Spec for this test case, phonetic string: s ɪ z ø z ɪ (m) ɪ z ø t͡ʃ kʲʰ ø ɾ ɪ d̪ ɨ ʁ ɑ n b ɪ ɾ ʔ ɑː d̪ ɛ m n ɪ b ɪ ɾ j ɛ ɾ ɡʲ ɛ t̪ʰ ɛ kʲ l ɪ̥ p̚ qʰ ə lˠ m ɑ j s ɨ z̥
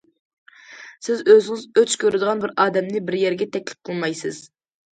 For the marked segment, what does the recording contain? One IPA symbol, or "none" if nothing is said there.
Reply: ŋ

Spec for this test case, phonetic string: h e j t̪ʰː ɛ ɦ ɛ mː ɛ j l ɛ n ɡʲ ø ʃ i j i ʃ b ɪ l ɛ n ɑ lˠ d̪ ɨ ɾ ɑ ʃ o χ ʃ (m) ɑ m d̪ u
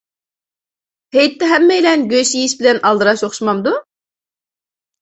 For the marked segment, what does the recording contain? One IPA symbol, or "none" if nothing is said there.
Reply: m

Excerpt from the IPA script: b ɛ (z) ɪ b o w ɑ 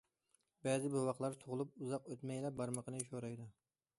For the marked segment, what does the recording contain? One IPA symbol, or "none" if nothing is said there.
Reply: z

